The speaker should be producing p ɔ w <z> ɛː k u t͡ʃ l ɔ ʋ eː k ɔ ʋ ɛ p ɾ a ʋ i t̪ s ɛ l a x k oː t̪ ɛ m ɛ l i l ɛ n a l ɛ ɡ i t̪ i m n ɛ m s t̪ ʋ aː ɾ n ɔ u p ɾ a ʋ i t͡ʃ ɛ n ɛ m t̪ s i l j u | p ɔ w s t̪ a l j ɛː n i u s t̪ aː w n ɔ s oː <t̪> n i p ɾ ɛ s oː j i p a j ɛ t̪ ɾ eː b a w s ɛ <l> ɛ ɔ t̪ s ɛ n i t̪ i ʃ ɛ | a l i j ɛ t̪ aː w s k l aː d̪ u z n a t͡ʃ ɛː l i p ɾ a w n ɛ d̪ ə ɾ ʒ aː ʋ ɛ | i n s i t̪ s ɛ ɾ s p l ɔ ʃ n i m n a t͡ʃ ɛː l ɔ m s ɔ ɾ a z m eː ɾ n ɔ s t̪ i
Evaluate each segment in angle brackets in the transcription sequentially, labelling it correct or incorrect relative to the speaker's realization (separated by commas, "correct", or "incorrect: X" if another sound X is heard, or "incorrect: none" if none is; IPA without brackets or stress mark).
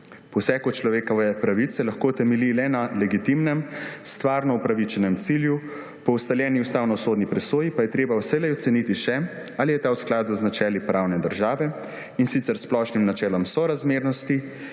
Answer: incorrect: s, incorrect: d̪, correct